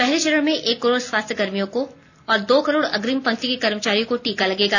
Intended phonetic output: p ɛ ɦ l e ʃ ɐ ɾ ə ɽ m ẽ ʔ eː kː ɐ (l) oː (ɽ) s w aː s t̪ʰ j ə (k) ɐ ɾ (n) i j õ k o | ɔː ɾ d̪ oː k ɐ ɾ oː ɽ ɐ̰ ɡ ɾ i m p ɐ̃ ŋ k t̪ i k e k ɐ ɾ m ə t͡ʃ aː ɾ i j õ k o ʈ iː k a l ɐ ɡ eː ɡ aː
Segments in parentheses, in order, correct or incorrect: incorrect: ɾ, correct, incorrect: ɡ, incorrect: m

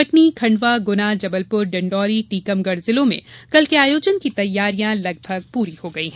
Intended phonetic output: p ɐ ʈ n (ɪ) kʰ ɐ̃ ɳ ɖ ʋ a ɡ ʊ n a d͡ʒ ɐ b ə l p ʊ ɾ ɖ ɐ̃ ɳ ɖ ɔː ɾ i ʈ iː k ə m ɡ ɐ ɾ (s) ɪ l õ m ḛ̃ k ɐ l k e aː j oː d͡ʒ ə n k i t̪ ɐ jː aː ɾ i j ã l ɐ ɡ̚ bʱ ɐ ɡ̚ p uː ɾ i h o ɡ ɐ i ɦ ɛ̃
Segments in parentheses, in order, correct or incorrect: incorrect: i, incorrect: z

